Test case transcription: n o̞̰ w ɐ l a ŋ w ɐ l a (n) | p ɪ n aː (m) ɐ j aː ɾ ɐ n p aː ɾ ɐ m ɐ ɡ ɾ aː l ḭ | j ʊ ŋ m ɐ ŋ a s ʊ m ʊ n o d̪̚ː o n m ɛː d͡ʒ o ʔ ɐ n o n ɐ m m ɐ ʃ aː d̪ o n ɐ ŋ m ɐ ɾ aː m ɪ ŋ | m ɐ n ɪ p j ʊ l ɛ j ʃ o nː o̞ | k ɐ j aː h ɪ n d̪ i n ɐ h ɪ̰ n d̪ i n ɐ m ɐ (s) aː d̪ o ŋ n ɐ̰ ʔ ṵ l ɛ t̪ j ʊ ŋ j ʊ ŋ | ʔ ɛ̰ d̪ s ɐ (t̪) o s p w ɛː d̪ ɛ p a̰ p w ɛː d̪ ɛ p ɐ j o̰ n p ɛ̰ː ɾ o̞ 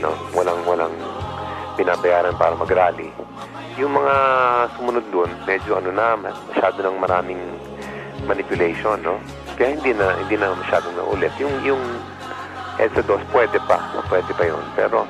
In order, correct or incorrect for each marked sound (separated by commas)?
incorrect, incorrect, incorrect, incorrect